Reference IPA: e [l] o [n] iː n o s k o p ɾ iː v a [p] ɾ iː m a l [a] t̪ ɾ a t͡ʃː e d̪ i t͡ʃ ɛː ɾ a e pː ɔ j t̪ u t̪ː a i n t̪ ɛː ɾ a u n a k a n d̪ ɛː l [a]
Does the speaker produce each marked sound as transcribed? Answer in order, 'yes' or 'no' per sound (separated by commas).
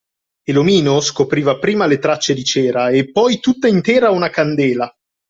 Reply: yes, no, yes, no, yes